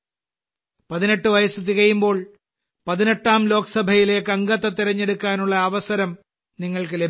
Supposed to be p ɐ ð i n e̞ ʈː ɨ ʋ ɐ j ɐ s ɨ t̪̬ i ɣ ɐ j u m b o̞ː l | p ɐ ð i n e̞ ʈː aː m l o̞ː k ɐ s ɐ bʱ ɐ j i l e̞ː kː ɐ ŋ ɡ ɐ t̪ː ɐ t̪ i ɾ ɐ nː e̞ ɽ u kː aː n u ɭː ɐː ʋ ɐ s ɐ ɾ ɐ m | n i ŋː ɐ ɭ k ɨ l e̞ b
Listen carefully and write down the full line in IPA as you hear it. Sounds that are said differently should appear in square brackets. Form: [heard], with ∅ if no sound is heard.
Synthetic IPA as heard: p ɐ ð i n e̞ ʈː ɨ ʋ ɐ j ɐ s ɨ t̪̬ i ɣ ɐ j u m b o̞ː [ɭ] | p ɐ ð i n e̞ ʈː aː m l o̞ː k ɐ s ɐ bʱ ɐ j i l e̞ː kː ɐ ŋ ɡ ɐ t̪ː ɐ t̪ i ɾ ɐ [ɲː] e̞ ɽ u kː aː n u ɭː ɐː ʋ ɐ s ɐ ɾ ɐ m | n i ŋː ɐ ɭ k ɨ l e̞ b